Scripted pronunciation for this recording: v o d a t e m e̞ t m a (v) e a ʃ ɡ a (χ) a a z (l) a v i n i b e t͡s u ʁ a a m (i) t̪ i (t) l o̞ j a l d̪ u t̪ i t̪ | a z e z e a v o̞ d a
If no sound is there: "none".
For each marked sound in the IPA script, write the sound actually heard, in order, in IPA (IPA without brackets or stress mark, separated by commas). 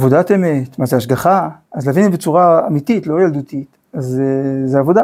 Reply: z, χ, l, i, t